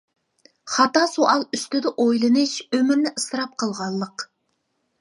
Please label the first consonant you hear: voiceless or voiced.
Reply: voiceless